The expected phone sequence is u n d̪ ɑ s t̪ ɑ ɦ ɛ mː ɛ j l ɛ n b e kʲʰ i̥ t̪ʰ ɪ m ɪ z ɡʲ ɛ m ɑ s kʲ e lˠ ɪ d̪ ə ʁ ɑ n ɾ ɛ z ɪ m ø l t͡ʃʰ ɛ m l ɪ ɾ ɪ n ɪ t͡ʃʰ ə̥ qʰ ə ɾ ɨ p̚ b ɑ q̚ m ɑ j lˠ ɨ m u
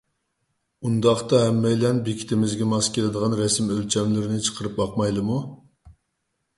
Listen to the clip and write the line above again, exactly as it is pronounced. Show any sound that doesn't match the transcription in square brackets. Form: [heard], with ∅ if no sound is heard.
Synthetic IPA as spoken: u n d̪ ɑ [χ] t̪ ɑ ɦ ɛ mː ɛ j l ɛ n b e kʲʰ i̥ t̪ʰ ɪ m ɪ z ɡʲ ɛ m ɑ s kʲ e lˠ ɪ d̪ ə ʁ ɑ n ɾ ɛ [s] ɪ m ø l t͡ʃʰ ɛ m l ɪ ɾ ɪ n ɪ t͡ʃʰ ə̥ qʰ ə ɾ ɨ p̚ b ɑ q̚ m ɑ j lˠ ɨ m u